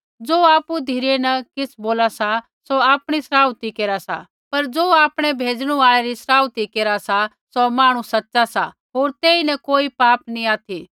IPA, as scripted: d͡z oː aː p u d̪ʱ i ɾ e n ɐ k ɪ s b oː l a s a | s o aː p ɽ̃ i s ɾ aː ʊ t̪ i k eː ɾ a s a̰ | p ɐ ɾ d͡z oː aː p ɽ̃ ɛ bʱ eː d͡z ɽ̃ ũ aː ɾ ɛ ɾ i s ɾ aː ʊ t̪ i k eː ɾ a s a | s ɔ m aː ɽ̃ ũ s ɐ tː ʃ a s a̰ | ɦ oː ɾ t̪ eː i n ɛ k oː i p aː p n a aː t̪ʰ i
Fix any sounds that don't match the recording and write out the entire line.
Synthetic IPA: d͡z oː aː p u d̪ʱ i ɾ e n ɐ k ɪ s b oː l a s a | s o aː p ɽ̃ i s ɾ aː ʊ t̪ i k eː ɾ a s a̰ | p ɐ ɾ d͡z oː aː p ɽ̃ ɛ bʱ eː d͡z ɽ̃ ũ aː ɭ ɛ ɾ i s ɾ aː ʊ t̪ i k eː ɾ a s a | s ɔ m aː ɽ̃ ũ s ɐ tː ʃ a s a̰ | ɦ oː ɾ t̪ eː i n ɛ k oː i p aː p n i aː t̪ʰ i